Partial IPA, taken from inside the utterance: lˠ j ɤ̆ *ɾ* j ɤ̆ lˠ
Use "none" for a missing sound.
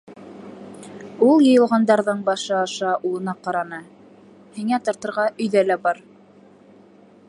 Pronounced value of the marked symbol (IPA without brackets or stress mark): none